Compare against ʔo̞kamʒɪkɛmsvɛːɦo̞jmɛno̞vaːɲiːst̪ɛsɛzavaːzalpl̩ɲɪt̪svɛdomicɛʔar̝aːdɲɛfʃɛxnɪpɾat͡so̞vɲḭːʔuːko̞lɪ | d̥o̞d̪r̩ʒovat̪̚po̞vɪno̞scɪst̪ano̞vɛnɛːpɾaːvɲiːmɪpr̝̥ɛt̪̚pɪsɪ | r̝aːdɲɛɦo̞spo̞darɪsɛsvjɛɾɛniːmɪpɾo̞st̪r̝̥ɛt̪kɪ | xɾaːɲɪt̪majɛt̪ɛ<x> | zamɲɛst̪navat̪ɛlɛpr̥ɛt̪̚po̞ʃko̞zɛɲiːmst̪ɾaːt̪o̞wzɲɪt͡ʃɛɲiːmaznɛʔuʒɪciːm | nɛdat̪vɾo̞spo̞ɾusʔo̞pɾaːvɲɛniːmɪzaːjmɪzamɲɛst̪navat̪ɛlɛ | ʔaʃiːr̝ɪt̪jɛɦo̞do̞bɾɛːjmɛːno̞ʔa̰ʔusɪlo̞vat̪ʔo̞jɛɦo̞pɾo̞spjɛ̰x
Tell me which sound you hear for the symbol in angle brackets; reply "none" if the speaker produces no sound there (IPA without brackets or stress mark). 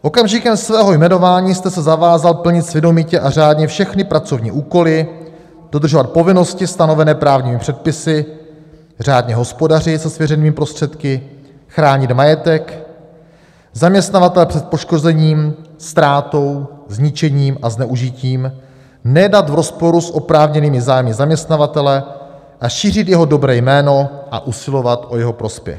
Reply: k